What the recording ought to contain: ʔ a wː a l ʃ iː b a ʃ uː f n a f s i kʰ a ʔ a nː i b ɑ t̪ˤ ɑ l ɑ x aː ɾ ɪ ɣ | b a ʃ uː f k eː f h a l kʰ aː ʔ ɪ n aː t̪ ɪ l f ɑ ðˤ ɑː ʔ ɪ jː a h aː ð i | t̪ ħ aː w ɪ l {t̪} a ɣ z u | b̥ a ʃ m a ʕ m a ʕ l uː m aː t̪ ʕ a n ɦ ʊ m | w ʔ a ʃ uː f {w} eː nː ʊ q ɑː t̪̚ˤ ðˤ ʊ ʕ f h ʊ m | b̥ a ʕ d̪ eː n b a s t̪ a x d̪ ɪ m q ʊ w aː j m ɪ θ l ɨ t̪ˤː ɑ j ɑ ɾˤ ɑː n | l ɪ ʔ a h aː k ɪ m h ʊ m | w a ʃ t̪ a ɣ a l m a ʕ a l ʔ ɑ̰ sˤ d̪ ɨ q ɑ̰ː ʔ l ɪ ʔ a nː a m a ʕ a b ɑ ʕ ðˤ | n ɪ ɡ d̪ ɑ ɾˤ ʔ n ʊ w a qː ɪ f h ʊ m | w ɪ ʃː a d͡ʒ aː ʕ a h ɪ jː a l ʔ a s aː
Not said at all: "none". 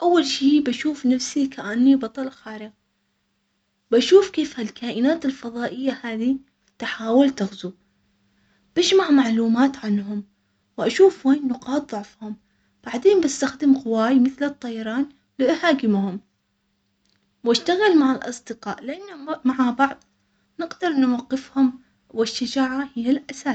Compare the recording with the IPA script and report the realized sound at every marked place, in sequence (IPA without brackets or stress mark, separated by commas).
t̪, w